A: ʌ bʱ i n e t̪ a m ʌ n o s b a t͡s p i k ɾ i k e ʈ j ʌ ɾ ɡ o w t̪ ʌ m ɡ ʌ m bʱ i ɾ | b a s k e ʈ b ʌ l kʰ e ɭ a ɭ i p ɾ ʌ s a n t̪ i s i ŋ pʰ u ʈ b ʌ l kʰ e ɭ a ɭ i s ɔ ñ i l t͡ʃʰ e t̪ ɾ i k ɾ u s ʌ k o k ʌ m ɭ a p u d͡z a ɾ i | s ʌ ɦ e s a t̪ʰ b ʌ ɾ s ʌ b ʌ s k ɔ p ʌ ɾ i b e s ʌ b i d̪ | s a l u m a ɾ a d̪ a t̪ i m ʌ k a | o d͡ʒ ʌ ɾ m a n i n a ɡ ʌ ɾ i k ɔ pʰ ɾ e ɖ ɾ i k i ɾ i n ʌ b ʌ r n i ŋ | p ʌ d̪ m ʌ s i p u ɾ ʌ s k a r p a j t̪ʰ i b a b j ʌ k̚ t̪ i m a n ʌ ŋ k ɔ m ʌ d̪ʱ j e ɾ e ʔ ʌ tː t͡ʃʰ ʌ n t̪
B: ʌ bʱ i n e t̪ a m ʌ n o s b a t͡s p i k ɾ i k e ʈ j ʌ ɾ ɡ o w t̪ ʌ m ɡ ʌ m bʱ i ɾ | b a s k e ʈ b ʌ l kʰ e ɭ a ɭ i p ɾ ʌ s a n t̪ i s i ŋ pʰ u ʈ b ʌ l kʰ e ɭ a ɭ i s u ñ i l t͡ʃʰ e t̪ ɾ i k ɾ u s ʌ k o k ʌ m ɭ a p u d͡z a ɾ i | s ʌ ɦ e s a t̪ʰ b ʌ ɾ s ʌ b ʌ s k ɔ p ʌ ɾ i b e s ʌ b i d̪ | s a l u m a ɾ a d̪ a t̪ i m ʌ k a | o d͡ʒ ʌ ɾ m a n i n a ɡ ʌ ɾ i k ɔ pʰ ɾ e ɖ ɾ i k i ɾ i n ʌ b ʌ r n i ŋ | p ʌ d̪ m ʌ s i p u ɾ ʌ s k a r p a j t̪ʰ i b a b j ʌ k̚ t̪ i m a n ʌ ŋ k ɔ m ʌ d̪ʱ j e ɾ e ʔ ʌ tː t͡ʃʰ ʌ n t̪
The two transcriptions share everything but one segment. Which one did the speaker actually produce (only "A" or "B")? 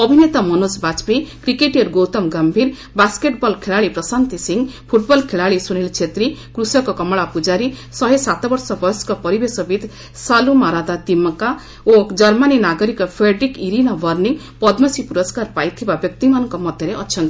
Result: B